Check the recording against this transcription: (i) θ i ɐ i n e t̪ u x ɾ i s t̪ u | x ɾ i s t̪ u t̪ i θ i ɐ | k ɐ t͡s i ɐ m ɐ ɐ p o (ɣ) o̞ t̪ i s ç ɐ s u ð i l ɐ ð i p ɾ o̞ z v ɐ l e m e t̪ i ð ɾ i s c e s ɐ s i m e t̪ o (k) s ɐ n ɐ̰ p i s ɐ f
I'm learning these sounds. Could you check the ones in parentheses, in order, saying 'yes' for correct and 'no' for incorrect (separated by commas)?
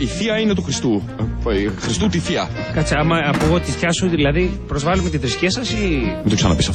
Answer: yes, yes, yes